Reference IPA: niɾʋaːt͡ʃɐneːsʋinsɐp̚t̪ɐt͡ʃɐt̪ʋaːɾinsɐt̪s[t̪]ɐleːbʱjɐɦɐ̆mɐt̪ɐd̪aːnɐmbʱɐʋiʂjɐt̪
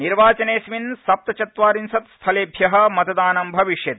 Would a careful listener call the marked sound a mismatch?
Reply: yes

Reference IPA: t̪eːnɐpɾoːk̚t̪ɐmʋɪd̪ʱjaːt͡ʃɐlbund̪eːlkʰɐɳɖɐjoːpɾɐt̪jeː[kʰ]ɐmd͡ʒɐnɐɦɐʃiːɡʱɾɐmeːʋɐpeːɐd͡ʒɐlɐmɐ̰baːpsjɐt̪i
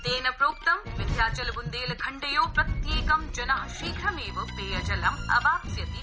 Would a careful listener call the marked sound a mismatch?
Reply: yes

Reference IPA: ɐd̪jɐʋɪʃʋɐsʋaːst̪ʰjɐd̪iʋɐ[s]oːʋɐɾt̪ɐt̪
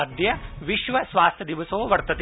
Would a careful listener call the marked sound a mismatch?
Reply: no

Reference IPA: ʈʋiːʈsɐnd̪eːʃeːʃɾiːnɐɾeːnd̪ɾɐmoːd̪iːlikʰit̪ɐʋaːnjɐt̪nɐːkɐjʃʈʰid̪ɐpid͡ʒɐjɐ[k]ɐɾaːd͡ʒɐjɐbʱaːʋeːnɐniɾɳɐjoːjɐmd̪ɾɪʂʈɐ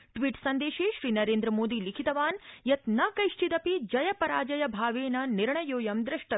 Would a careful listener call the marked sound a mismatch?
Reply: yes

